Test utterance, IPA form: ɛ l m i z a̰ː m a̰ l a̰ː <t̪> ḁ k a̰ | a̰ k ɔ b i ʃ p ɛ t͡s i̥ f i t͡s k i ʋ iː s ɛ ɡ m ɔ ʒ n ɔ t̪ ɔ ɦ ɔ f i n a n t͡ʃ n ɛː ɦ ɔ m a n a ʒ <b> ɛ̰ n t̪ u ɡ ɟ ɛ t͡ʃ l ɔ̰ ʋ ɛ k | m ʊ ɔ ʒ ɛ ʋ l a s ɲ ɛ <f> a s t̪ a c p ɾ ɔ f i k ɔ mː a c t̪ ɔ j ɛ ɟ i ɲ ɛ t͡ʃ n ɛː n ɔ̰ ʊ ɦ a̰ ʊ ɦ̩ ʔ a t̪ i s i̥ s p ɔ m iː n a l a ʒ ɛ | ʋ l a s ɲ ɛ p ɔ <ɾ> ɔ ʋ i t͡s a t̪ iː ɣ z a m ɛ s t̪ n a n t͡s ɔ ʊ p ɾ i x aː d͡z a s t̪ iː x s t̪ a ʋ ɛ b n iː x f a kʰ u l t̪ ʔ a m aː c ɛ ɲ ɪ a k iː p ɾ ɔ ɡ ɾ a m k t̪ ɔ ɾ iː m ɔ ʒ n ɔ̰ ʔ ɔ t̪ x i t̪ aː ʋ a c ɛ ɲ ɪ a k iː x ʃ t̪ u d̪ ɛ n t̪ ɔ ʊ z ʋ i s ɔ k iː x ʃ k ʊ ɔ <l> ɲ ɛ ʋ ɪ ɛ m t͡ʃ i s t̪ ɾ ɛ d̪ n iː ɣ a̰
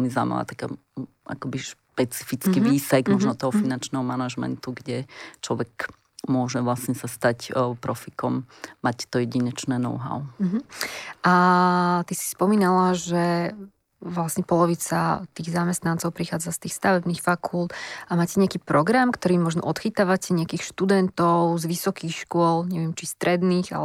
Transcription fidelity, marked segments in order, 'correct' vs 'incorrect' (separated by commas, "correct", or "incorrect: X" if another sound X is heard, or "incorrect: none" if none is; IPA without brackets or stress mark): correct, incorrect: m, incorrect: s, incorrect: l, correct